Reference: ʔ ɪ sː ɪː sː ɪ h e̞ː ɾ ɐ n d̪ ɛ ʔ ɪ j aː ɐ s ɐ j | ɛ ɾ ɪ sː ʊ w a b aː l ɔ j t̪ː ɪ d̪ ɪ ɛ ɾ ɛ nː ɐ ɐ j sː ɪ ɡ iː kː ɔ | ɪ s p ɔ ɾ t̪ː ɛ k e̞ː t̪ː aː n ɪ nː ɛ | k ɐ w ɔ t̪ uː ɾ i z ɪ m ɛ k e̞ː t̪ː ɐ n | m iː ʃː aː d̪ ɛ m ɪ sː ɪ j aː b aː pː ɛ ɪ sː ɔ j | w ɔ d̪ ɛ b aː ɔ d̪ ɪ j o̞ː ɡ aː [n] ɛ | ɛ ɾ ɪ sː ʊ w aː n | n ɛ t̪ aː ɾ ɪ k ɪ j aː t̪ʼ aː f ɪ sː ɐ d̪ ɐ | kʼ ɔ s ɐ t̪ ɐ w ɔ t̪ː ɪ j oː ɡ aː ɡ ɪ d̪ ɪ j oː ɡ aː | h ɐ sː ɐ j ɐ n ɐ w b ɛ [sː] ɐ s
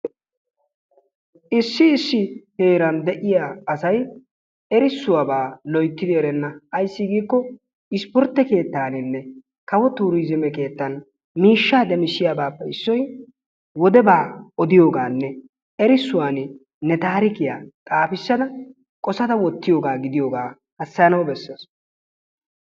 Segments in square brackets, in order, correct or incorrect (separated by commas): incorrect, correct